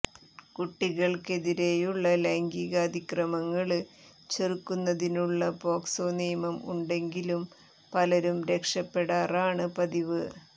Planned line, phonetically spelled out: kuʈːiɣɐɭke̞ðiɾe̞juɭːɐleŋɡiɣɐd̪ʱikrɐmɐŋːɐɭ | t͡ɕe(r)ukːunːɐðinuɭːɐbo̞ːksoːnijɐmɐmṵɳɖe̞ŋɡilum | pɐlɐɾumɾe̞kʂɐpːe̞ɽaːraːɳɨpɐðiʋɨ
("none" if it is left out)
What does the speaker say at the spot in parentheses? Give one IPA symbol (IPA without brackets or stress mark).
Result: r